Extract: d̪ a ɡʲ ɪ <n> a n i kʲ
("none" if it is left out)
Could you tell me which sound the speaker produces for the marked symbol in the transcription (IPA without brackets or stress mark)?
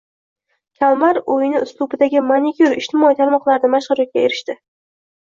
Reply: m